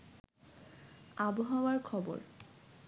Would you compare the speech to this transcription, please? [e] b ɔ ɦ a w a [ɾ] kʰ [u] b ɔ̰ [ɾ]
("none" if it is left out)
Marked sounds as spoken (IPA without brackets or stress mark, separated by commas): a, ɹ, ɔ, ɹ